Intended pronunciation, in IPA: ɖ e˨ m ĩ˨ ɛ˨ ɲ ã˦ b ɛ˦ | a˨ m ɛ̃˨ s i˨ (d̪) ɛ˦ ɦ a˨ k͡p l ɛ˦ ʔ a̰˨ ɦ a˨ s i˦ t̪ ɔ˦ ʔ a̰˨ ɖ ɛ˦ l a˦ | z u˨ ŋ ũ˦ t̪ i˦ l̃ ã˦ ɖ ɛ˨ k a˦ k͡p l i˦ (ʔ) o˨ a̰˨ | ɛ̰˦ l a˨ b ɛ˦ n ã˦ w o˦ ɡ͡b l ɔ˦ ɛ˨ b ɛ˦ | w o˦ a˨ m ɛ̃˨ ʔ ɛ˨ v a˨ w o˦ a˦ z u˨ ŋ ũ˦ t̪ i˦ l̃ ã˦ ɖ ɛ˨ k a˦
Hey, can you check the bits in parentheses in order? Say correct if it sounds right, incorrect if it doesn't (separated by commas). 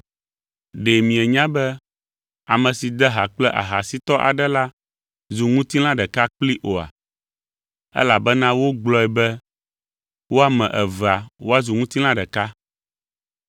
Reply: correct, correct